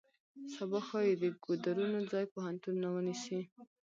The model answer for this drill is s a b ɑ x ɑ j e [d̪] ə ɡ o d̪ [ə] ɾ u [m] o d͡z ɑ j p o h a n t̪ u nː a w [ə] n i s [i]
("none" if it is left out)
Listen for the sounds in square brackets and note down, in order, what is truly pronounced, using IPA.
d̪, a, n, ə, i

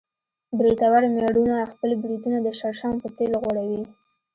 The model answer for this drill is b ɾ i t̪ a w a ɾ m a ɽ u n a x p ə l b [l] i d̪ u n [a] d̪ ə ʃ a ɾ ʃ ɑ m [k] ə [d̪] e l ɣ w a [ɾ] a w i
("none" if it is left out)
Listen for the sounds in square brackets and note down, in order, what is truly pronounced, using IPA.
ɾ, a, p, t̪, ɽ

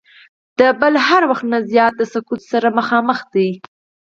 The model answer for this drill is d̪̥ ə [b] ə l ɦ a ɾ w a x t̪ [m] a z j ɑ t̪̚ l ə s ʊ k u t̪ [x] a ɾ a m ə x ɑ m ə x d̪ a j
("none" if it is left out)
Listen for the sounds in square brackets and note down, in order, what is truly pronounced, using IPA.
b, n, s

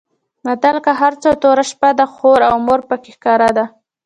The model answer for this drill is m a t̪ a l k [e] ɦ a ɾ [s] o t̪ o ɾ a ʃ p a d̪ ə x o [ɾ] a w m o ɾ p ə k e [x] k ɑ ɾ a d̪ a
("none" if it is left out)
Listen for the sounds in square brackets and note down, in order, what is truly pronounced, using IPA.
a, t͡s, ɾ, x

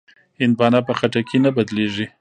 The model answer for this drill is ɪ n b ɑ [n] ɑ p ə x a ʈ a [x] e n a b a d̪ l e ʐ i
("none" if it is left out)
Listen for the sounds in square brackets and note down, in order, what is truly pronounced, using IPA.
n, k

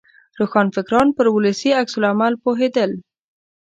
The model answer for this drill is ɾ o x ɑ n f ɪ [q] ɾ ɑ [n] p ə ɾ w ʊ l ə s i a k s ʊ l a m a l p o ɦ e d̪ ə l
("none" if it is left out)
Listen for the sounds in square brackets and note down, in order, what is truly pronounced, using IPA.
k, n

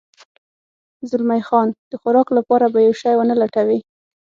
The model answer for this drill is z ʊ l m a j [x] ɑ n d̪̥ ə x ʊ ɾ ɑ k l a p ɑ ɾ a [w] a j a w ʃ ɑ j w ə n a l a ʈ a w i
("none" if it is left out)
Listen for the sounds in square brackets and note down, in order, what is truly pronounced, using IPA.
x, b

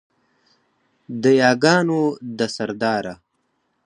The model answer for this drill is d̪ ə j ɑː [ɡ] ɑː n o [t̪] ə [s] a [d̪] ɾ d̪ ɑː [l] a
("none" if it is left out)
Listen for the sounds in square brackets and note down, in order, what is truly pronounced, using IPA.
ɡ, d̪, s, none, ɾ

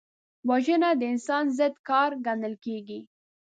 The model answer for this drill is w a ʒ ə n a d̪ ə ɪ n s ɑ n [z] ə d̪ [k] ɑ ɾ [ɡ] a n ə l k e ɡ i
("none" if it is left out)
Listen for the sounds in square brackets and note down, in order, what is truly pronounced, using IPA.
z, k, ɡ

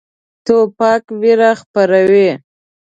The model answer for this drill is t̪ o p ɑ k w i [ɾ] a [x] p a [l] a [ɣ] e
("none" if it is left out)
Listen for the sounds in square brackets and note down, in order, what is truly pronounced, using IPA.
ɾ, x, ɾ, w

